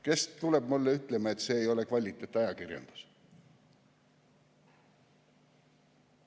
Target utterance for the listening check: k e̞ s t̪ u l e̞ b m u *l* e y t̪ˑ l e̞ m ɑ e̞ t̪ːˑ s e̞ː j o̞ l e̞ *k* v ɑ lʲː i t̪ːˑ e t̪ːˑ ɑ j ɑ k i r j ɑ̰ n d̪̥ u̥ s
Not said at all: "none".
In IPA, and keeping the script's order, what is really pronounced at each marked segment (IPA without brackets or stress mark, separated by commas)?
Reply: lː, k